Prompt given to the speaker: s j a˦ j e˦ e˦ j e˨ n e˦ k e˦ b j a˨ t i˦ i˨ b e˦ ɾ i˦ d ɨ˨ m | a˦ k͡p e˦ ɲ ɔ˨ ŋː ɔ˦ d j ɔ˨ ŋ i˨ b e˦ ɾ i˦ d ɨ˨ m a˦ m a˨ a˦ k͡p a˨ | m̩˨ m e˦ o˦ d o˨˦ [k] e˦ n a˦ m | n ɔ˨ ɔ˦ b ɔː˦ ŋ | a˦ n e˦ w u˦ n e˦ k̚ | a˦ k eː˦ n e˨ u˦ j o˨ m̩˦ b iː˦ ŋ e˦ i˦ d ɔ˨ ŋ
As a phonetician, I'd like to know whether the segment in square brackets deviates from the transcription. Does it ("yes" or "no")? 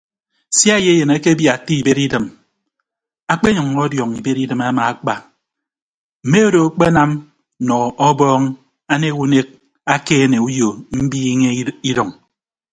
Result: yes